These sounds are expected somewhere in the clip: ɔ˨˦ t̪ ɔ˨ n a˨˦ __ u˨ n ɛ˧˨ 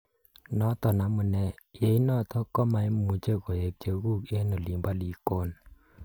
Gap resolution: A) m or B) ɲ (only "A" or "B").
A